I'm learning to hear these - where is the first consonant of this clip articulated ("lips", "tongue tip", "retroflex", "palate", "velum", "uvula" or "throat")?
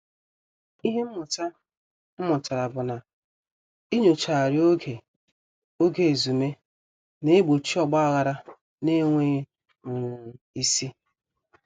throat